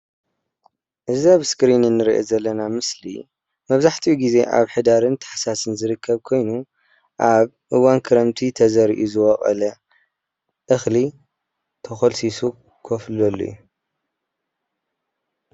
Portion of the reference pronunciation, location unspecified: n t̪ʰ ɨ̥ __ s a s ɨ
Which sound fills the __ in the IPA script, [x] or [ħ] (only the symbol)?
ħ